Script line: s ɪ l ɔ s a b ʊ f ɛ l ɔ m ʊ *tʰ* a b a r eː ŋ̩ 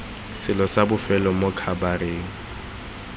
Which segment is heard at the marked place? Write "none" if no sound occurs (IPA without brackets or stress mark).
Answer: kʰ